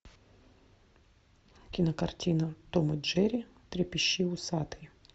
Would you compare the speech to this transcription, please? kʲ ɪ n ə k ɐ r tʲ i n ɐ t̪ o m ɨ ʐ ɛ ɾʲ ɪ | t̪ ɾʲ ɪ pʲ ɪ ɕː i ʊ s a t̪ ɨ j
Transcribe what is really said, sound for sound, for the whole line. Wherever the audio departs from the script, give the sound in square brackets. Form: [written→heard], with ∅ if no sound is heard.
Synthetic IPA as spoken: kʲ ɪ n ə k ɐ r tʲ i n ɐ t̪ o m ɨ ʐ ɛ ɾʲ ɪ | t̪ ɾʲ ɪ pʲ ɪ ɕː i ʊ s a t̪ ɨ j